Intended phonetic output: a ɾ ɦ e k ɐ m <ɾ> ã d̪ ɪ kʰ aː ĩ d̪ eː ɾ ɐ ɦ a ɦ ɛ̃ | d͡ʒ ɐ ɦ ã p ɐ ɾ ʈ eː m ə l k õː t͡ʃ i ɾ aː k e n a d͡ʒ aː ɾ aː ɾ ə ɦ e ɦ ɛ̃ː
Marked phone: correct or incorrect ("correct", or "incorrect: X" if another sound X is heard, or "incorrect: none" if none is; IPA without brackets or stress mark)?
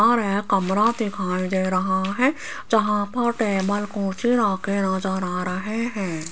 correct